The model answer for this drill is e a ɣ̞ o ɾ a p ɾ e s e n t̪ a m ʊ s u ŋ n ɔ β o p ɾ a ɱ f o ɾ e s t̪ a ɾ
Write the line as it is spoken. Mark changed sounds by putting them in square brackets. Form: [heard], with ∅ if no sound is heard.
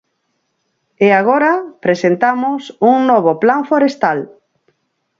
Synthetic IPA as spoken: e a ɣ̞ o ɾ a p ɾ e s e n t̪ a m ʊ s u ŋ n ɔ β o p [l] a ɱ f o ɾ e s t̪ a [l]